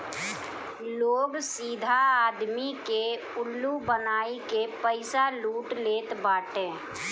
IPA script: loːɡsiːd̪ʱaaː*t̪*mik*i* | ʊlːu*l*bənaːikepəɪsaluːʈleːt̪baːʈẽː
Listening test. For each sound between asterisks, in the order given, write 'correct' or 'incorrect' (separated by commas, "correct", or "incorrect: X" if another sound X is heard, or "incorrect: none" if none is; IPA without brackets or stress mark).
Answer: incorrect: d̪, incorrect: e, incorrect: none